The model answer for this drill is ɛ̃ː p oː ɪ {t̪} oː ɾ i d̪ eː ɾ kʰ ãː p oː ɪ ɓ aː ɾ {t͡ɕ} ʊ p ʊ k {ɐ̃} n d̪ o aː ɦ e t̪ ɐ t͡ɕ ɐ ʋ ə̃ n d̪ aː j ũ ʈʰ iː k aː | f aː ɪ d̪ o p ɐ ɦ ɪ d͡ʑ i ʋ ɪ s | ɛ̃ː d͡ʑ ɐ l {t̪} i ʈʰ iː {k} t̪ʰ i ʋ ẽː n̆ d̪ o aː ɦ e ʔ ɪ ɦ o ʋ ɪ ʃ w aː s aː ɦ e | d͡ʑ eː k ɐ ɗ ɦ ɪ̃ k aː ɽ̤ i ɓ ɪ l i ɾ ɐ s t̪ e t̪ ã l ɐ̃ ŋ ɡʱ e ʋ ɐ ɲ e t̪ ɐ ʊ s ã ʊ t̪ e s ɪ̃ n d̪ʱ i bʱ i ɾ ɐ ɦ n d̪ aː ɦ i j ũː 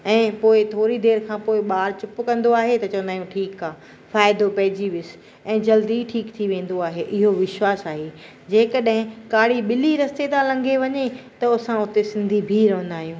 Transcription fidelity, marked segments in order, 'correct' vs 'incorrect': incorrect, correct, correct, incorrect, correct

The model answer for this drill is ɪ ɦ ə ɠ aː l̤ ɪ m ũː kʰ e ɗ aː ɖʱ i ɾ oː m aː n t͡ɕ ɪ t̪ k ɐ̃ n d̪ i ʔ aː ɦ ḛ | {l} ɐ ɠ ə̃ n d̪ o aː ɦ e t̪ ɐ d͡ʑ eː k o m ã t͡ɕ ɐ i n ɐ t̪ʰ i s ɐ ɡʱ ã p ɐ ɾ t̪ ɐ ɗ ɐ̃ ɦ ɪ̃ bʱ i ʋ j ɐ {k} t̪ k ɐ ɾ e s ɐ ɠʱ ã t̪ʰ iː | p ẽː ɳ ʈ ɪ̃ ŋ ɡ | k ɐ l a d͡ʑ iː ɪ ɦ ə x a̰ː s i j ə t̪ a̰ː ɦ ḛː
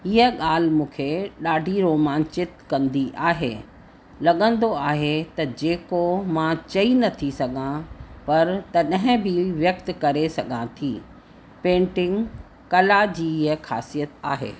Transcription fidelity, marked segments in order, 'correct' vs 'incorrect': correct, correct

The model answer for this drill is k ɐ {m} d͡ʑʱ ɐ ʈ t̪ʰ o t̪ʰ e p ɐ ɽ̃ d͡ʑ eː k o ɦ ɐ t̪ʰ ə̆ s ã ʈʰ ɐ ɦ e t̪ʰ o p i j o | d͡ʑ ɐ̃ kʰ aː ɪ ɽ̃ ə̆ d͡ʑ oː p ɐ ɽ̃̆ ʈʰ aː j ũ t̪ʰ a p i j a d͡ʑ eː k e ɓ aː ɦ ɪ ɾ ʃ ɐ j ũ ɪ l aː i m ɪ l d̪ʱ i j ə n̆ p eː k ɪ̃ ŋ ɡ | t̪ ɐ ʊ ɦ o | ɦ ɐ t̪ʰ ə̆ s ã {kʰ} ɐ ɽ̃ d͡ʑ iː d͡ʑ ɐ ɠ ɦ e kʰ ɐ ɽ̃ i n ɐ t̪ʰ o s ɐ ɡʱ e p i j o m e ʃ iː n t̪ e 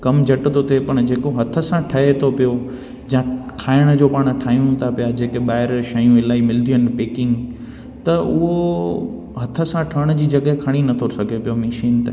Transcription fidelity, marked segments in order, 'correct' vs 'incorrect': correct, incorrect

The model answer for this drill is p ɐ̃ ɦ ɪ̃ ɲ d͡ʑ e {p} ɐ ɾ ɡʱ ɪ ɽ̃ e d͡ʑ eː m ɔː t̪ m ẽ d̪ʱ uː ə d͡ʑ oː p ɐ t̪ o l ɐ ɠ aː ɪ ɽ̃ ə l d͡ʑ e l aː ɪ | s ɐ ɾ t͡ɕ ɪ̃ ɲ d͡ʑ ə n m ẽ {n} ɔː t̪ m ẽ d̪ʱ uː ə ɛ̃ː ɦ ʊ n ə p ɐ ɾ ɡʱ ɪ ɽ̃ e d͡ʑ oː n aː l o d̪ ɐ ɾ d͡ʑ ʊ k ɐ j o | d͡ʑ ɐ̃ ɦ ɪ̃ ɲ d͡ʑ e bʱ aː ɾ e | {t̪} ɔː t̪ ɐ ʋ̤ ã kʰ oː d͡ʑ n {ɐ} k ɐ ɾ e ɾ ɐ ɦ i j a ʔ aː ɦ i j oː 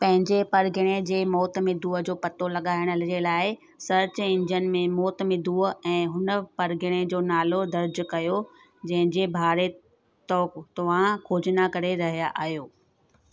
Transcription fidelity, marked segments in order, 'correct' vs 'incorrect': correct, incorrect, correct, incorrect

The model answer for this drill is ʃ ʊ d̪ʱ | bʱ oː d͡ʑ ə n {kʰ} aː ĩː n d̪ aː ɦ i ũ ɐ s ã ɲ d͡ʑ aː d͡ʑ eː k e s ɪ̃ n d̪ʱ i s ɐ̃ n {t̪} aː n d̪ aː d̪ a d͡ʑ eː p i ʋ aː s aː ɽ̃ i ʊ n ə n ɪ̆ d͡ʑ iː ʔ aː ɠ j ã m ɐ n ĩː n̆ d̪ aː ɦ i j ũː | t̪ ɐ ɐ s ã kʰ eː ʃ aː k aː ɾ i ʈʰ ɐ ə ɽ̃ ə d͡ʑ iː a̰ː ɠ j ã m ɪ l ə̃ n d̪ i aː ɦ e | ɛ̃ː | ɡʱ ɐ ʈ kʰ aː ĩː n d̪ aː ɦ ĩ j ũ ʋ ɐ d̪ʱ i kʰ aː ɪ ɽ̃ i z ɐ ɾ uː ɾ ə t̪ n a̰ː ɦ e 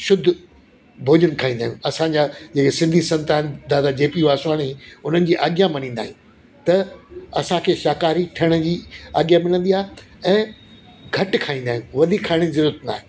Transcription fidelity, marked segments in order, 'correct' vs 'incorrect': correct, correct

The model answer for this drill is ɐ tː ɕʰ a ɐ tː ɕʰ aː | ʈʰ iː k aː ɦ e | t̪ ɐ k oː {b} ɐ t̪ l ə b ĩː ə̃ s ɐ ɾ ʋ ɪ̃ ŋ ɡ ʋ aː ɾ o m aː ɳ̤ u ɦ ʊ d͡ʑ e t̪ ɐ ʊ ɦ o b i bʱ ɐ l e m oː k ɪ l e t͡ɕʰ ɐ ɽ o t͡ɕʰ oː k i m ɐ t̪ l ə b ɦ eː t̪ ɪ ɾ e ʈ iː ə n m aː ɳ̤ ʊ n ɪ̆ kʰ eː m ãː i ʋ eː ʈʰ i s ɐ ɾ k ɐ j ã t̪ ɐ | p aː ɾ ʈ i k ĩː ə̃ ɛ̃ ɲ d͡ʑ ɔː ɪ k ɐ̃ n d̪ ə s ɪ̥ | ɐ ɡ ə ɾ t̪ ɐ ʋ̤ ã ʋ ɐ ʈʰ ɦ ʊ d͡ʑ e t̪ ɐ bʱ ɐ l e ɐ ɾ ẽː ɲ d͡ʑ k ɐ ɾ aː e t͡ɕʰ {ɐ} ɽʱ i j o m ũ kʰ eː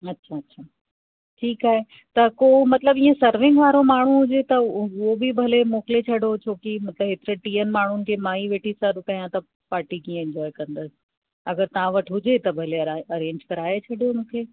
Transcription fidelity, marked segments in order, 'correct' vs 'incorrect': incorrect, correct

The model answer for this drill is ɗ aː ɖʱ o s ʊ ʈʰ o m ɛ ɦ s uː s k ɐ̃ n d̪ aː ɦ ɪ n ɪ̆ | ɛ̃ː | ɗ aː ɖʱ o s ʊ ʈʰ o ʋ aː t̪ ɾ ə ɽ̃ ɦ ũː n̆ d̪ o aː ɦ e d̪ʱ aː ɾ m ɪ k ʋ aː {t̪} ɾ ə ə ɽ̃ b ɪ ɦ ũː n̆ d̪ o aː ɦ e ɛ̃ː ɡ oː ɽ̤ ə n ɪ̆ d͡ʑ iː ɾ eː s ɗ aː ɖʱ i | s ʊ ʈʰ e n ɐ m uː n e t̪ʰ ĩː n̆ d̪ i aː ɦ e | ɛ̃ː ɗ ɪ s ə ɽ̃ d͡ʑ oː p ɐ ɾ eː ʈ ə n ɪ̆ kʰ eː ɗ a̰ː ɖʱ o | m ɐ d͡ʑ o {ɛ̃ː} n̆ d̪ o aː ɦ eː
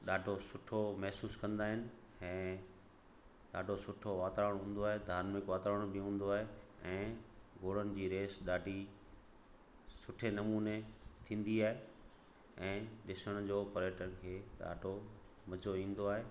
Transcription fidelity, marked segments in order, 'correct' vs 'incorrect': correct, incorrect

